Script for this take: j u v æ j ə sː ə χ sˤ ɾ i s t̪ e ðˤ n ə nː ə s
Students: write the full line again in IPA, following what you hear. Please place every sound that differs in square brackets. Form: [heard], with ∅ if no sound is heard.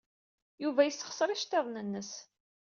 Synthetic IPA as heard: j u v æ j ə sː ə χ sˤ ɾ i [ʃ] t̪ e ðˤ n ə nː ə s